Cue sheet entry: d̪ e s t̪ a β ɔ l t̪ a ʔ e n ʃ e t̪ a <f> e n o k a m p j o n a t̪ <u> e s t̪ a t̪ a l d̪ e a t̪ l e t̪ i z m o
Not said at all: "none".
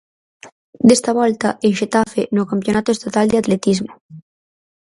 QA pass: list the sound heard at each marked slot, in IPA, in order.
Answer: f, o

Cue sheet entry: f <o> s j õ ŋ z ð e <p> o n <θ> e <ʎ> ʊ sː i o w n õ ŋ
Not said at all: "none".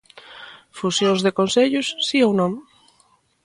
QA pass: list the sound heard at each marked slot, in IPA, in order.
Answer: u, k, s, ʎ

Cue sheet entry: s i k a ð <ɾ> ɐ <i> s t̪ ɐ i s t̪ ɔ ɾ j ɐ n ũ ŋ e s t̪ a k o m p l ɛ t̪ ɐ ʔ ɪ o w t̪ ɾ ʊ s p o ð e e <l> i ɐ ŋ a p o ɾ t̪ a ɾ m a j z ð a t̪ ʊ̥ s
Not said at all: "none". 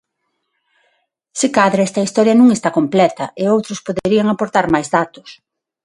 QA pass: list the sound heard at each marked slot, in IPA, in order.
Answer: ɾ, ɛ, ɾ

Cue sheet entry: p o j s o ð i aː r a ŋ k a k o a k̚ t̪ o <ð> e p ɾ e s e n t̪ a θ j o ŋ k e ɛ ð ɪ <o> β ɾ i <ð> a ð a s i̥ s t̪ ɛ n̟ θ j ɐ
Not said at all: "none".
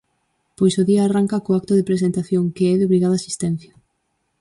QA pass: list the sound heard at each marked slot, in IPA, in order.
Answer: ð, o, ɣ

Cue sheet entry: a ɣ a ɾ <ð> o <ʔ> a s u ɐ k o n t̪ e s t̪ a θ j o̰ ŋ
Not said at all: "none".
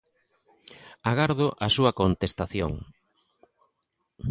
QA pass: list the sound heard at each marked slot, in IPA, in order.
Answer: ð, ʔ

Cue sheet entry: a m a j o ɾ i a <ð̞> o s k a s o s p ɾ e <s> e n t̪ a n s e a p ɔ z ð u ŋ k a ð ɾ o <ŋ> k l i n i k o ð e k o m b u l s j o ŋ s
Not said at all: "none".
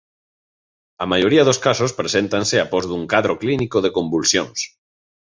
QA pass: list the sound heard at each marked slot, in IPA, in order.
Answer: ð̞, s, none

